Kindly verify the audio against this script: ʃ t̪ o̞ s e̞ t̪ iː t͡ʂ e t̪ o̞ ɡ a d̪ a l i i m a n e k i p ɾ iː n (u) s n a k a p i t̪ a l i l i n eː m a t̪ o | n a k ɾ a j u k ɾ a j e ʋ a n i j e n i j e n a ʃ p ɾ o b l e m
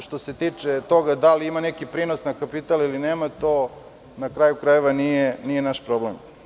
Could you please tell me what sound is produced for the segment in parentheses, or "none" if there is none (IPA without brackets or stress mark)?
o